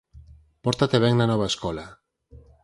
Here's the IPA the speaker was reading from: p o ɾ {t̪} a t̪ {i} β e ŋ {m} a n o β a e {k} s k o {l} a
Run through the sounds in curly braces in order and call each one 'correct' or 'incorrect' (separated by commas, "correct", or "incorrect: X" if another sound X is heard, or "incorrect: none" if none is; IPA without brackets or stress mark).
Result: correct, incorrect: e, incorrect: n, incorrect: none, correct